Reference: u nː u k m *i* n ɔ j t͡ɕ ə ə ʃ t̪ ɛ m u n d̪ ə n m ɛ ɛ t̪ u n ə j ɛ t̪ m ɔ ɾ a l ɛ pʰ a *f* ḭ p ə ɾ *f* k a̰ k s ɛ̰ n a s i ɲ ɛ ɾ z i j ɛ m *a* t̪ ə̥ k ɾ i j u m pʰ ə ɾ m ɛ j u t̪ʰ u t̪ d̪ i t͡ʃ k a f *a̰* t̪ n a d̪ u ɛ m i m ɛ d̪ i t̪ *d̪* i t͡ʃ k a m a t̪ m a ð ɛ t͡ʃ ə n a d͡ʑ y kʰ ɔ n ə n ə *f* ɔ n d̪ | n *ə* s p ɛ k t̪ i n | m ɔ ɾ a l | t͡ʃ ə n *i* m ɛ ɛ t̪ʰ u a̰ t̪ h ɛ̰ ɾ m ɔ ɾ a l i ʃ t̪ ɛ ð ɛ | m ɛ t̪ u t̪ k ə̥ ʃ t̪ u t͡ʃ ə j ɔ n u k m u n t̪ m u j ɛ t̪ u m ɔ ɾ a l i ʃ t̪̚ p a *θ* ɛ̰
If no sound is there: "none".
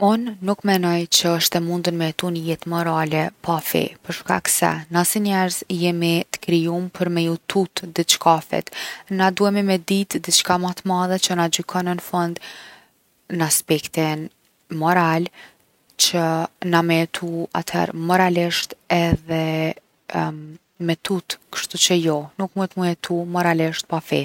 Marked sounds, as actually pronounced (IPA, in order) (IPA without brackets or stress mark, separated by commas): ɛ, f, ʃ, i, ɛ̰, d̪, f, a, a, f